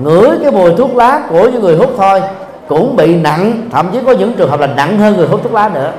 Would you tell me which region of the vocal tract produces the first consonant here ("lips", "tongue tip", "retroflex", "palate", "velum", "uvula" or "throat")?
velum